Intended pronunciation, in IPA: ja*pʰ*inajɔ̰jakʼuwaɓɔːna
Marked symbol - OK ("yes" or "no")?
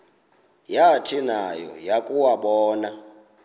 no